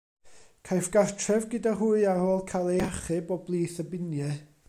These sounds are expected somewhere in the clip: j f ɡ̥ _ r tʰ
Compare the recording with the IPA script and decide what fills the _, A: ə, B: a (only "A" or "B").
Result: B